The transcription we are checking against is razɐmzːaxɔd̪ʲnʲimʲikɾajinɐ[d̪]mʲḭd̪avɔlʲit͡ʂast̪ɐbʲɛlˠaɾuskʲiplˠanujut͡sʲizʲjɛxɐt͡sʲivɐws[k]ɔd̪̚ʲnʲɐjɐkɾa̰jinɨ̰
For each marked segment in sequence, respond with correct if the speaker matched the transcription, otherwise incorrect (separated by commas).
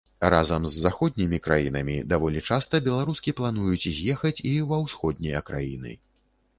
incorrect, incorrect